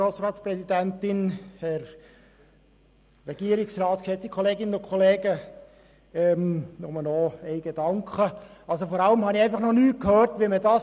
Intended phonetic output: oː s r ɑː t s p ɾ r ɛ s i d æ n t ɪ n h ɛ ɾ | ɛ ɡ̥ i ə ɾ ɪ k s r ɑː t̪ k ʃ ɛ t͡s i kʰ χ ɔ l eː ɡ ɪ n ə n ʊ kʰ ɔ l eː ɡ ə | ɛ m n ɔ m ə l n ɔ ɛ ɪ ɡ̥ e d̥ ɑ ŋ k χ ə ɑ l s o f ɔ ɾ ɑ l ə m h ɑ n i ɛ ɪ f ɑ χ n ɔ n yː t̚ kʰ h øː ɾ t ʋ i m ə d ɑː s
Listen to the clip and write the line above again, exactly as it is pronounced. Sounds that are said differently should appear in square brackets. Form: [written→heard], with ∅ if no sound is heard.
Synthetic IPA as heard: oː s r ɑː t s p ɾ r ɛ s i d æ n t ɪ n h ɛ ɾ | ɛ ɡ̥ i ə ɾ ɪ k s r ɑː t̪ k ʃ ɛ t͡s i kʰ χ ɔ l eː ɡ ɪ n ə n ʊ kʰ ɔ l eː ɡ ə | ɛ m n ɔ m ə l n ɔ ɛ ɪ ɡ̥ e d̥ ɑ ŋ k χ ə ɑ l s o f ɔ ɾ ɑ l ə m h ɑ n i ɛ ɪ f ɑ χ n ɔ n yː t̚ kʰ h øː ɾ t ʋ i m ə d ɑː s

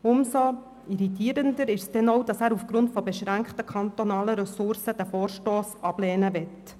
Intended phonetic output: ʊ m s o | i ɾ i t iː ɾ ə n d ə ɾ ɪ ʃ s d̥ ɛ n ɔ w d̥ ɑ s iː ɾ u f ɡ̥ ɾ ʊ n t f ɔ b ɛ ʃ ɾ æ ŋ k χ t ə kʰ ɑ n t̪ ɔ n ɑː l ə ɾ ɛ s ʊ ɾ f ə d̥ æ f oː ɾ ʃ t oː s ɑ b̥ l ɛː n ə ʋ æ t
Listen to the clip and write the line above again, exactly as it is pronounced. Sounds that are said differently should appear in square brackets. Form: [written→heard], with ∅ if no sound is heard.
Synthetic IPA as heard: ʊ m s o | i ɾ i t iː ɾ ə n d ə ɾ ɪ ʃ s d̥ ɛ n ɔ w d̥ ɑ s [iː→æː] ɾ u f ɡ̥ ɾ ʊ n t f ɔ b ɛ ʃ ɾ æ ŋ k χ t ə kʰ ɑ n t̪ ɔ n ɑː l ə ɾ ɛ s ʊ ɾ [f→s] ə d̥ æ f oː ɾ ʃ t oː s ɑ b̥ l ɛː n ə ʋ [æ→ɛ] t

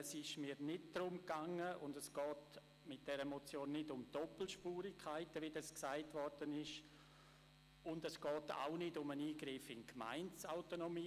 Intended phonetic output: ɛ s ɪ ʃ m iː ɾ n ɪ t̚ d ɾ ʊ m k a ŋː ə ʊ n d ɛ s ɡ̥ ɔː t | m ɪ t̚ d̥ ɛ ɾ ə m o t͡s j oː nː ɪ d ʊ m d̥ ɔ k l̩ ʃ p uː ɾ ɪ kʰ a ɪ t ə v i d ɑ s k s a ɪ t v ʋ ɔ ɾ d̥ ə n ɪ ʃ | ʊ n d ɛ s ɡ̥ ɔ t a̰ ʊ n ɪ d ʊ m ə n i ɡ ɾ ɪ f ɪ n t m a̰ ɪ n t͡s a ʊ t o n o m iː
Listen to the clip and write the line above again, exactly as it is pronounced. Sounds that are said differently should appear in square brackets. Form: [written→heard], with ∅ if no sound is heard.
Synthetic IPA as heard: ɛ s ɪ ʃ m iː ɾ n ɪ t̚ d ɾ ʊ m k a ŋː ə ʊ n d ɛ s ɡ̥ ɔː t | m ɪ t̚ d̥ ɛ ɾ ə m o t͡s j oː nː ɪ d ʊ m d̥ ɔ [k→p] l̩ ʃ p uː ɾ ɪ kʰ a ɪ t ə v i d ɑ s k s a ɪ t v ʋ ɔ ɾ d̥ ə n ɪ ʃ | ʊ n d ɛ s ɡ̥ [ɔ→ɔː] t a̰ ʊ n ɪ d ʊ m ə n [i→iː] ɡ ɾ ɪ f ɪ n [t→k] m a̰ ɪ n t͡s a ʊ t o n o m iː

